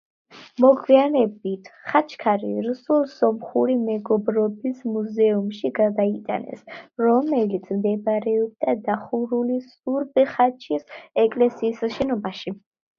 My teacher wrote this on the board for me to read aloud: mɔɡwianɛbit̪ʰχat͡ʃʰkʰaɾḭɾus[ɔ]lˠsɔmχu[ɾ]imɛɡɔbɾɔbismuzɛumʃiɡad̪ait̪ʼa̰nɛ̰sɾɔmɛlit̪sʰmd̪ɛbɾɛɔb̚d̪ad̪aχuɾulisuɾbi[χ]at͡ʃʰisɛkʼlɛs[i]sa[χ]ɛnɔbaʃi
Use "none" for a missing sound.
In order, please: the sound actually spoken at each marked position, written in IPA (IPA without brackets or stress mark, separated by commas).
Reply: u, ɾ, χ, iː, ʃ